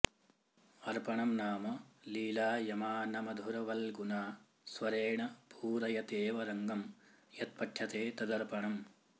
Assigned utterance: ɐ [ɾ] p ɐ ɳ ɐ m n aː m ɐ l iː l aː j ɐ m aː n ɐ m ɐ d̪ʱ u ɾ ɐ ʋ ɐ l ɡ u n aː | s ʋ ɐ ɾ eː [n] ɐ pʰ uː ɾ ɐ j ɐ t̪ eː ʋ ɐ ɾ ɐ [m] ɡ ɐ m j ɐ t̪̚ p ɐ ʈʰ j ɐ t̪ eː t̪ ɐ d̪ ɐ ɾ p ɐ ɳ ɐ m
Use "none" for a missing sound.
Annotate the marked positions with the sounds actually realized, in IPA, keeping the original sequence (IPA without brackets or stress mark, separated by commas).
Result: ɾ, ɳ, ŋ